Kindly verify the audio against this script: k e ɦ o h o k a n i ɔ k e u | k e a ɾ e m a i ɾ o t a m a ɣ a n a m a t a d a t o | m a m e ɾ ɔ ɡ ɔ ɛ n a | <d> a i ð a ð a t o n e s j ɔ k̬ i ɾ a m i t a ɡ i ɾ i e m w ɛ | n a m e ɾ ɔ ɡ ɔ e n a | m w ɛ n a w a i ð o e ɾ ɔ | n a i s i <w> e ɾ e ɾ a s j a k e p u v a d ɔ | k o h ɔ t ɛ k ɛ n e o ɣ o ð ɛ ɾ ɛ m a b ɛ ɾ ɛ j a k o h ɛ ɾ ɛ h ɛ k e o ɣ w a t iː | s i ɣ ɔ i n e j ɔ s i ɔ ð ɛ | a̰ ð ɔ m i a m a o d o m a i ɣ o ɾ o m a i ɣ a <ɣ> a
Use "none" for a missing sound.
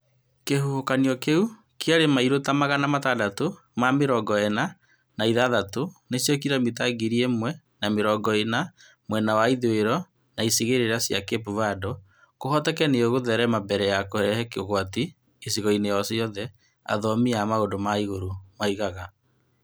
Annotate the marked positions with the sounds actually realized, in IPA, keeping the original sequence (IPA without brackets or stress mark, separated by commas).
n, ɣ, ɣ